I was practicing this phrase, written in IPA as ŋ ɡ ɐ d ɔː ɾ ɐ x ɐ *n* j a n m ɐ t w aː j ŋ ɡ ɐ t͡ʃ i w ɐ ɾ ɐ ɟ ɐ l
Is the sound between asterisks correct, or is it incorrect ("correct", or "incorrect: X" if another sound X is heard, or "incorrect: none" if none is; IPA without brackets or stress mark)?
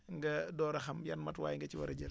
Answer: incorrect: m